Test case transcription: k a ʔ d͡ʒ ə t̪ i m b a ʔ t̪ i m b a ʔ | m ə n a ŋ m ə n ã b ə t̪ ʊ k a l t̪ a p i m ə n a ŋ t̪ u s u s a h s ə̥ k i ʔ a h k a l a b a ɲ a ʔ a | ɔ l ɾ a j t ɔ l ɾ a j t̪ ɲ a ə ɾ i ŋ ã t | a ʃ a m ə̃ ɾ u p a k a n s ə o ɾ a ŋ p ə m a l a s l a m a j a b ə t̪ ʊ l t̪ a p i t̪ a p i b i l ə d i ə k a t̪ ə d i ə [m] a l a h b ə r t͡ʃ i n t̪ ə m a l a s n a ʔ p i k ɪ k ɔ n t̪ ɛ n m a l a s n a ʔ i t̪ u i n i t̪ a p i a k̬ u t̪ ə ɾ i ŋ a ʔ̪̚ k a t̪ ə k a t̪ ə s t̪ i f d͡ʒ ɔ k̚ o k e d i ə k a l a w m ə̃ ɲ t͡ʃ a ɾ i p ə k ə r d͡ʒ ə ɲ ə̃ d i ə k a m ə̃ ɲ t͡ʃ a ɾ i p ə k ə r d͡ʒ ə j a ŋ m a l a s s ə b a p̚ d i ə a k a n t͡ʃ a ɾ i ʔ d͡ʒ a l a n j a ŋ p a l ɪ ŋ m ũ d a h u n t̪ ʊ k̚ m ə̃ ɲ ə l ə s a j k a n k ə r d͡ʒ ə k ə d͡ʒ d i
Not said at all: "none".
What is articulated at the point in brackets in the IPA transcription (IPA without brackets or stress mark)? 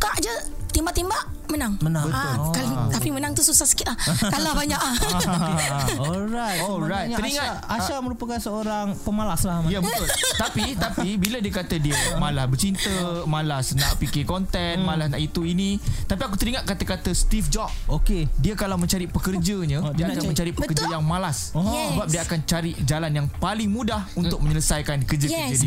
m